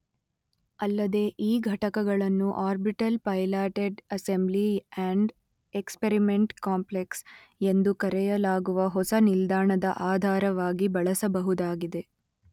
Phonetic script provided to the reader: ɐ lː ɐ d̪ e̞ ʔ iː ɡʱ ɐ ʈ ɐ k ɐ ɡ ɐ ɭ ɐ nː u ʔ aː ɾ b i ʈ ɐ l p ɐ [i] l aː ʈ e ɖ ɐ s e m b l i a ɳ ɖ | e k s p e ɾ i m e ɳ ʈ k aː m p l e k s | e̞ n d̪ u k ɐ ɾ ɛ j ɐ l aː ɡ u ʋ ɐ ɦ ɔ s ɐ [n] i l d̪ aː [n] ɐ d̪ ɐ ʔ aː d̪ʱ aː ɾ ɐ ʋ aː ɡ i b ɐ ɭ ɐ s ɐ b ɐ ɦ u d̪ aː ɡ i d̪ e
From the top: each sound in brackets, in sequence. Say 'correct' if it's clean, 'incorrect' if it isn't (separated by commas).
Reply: incorrect, correct, incorrect